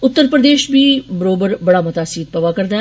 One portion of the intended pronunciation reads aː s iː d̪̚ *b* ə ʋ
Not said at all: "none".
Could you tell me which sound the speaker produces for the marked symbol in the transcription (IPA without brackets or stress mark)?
p